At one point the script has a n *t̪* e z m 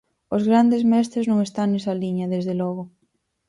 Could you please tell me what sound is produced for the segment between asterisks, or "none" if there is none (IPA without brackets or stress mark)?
d̪